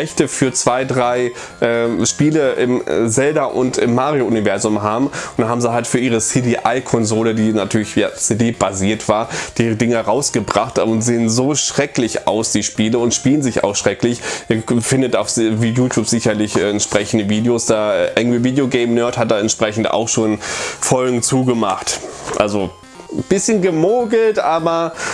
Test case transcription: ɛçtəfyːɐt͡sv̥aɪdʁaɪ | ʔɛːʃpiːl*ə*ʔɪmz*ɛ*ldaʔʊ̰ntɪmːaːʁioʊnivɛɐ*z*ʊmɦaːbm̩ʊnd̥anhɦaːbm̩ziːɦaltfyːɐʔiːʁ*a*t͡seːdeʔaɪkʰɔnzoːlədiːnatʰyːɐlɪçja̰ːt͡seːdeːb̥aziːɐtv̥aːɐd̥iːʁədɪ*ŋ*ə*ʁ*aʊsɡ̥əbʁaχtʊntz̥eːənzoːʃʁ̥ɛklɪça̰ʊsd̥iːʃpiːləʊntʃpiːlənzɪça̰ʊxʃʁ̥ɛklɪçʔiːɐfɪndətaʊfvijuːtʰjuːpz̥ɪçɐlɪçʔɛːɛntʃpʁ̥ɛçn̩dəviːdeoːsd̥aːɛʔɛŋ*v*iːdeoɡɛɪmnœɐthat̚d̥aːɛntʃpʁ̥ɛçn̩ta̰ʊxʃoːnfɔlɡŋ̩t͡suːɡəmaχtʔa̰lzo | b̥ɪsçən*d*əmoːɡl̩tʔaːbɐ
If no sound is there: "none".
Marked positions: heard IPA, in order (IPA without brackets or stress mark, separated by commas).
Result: ə, ɛ, z, ə, ŋ, ʁ, v, ɡ